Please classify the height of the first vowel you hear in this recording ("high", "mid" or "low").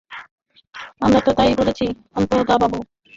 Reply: low